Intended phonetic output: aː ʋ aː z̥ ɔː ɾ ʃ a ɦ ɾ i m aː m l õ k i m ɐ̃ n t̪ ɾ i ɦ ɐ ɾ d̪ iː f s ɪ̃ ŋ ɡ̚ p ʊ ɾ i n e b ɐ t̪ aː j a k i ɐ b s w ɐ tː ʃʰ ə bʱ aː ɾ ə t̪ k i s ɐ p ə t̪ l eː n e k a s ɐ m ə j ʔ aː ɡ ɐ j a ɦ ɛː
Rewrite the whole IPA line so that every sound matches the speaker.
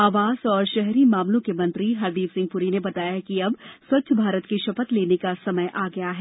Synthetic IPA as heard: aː ʋ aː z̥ ɔː ɾ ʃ ɛ ɦ ɾ i m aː m l õ k e m ɐ̃ n t̪ ɾ i ɦ ɐ ɾ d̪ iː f s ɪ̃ ŋ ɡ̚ p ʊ ɾ i n e b ɐ t̪ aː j a k i ɐ b s w ɐ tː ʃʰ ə bʱ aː ɾ ə t̪ k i ʃ ɐ p ə t̪ l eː n e k a s ɐ m ə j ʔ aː ɡ ɐ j a ɦ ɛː

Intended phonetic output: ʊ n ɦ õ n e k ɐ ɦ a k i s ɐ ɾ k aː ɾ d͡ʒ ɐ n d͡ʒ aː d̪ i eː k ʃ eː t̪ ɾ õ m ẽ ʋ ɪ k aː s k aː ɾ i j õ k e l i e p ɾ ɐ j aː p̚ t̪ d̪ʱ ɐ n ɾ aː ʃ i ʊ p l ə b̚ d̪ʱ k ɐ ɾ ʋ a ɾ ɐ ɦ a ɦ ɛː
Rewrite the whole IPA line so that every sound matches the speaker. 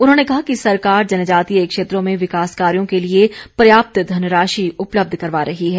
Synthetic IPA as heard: ʊ n ɦ õ n e k ɐ ɦ a k i s ɐ ɾ k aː ɾ d͡ʒ ɐ n d͡ʒ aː t̪ i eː k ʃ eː t̪ ɾ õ m ẽ ʋ ɪ k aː s k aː ɾ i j õ k e l i e p ɾ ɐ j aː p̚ t̪ d̪ʱ ɐ n ɾ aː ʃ i ʊ p l ə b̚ d̪ʱ k ɐ ɾ ʋ a ɾ ɐ ɦ i ɦ ɛː

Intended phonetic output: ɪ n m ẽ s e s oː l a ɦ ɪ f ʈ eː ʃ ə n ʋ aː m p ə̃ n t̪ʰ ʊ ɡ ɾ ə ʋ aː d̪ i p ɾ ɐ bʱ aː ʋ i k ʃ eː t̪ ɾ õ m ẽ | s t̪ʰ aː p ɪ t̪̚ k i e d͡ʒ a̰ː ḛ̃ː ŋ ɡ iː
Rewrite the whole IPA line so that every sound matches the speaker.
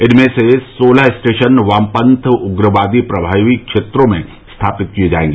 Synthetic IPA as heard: ɪ n m ẽ s e s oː l a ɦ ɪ s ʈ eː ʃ ə n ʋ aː m p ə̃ n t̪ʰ ʊ ɡ ɾ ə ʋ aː d̪ i p ɾ ɐ bʱ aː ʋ i k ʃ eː t̪ ɾ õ m ẽ | s t̪ʰ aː p ɪ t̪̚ k i e d͡ʒ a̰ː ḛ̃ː ŋ ɡ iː

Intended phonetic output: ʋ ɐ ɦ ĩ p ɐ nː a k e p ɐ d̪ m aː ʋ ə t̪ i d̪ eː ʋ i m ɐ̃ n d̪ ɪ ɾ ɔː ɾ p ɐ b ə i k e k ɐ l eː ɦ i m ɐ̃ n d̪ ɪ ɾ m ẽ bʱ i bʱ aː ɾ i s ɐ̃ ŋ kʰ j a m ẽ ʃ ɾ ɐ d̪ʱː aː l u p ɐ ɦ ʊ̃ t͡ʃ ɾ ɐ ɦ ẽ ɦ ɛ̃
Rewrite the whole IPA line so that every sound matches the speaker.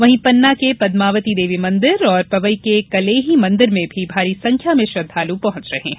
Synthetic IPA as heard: ʋ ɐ ɦ ĩ p ɐ nː a k e p ɐ d̪ m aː ʋ ə t̪ i d̪ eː ʋ i m ɐ̃ n d̪ ɪ ɾ ɔː ɾ p ɐ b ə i k e k ɐ l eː ɦ i m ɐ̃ n d̪ ɪ ɾ m ẽ bʱ i bʱ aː ɾ i s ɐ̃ ŋ kʰ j a m ẽ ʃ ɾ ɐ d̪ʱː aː l u p ɐ ɦ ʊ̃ t͡ʃ ɾ ɐ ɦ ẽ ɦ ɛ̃

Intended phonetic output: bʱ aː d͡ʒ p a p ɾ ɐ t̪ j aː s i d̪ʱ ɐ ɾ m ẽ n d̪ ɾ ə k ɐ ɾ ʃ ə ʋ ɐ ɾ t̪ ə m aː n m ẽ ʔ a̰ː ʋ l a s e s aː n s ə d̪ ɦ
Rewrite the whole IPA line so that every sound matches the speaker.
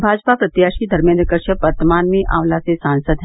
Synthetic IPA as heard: bʱ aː d͡ʒ p a p ɾ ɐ t̪ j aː ʃ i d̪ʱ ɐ ɾ m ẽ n d̪ ɾ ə k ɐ ɾ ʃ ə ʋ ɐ ɾ t̪ ə m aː n m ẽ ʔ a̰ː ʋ l a s e s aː n s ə d̪ ɦ

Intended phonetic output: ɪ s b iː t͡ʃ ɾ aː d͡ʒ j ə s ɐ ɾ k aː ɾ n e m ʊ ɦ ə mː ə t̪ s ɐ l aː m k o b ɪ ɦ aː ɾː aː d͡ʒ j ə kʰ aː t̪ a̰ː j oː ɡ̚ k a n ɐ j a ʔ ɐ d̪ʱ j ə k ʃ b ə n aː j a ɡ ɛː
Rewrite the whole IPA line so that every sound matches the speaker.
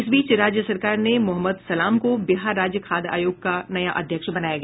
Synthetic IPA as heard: ɪ s b iː t͡ʃ ɾ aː d͡ʒ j ə s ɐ ɾ k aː ɾ n e m ʊ ɦ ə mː ə d̪ s ɐ l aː m k o b ɪ ɦ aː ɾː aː d͡ʒ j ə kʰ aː d̪ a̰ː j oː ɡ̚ k a n ɐ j a ʔ ɐ d̪ʱ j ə k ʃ b ɐ n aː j a ɡ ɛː

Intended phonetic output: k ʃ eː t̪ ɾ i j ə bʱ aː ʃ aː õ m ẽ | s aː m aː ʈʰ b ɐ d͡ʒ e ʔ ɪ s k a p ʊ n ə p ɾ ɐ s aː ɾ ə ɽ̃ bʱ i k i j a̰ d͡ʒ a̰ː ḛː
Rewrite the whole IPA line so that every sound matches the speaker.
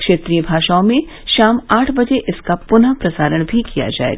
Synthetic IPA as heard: k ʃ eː t̪ ɾ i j ə bʱ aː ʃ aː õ m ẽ | ʃ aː m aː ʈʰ b ɐ d͡ʒ e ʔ ɪ s k a p ʊ n a p ɾ ɐ s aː ɾ ə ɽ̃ bʱ i k i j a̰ d͡ʒ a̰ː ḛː

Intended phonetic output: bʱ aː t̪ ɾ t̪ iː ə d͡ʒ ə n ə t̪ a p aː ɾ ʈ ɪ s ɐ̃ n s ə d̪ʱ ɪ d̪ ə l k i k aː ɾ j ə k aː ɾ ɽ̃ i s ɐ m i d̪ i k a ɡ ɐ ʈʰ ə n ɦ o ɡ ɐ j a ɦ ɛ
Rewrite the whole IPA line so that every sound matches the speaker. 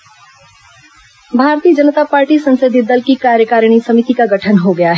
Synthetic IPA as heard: bʱ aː ɾ t̪ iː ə d͡ʒ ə n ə t̪ a p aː ɾ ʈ i s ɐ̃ n s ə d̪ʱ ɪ d̪ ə l k i k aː ɾ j ə k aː ɾ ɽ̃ i s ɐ m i t̪ i k a ɡ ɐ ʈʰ ə n ɦ o ɡ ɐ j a ɦ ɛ

